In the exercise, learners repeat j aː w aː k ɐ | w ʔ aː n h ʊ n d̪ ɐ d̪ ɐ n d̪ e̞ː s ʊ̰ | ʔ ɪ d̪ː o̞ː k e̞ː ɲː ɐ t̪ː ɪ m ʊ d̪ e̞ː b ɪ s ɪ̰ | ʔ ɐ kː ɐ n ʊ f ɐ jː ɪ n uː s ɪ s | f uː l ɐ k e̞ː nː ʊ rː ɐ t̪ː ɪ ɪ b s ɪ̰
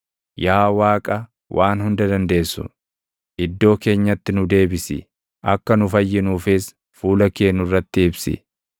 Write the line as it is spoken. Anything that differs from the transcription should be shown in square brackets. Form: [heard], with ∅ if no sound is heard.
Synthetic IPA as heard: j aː w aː [kʼ] ɐ | w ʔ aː n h ʊ n d̪ ɐ d̪ ɐ n d̪ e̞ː s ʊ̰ | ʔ ɪ d̪ː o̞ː k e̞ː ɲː ɐ t̪ː ɪ [n] ʊ d̪ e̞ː b ɪ s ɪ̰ | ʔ ɐ kː ɐ n ʊ f ɐ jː ɪ n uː [f] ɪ s | f uː l ɐ k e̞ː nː ʊ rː ɐ t̪ː ɪ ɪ b s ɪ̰